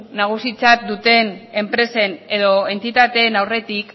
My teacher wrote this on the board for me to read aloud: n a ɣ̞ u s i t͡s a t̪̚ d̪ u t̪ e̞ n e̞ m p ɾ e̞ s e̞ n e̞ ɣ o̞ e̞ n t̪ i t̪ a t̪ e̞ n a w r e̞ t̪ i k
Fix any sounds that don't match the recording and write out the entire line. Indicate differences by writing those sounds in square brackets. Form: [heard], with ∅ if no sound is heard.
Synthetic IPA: n a ɣ̞ u s i t͡s a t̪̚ d̪ u t̪ e̞ n e̞ m p ɾ e̞ s e̞ n e̞ [ð] o̞ e̞ n t̪ i t̪ a t̪ e̞ n a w r e̞ t̪ i k